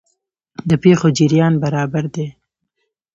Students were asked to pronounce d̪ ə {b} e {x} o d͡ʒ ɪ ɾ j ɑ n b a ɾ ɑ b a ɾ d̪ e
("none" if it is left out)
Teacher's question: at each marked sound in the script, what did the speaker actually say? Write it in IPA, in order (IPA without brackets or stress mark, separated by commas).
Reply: p, x